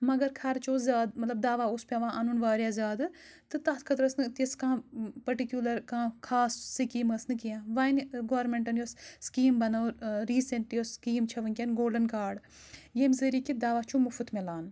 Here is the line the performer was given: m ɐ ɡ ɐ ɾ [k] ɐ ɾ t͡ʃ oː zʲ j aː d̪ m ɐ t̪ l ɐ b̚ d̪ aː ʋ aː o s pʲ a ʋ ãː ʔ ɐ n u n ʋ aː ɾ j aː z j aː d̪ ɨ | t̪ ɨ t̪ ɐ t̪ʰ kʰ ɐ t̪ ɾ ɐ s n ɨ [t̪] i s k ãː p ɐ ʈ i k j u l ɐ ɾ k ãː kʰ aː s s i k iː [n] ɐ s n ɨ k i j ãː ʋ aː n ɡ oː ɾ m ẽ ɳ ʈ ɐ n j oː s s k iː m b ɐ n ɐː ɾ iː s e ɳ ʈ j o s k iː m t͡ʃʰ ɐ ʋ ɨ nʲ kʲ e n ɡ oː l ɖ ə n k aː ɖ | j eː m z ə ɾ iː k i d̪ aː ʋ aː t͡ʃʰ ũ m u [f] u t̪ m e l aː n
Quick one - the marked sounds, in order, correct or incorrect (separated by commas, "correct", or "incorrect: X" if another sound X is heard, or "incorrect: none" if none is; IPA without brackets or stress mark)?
incorrect: kʰ, correct, incorrect: m, correct